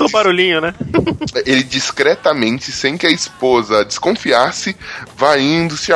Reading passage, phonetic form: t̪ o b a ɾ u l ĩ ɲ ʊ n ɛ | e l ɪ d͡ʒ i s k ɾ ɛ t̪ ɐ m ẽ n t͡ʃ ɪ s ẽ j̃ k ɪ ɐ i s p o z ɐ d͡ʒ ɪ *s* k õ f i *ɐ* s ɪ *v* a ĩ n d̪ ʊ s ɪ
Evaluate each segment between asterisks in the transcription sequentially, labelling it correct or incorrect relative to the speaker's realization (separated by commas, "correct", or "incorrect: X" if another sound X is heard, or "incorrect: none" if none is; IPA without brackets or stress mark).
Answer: correct, incorrect: a, correct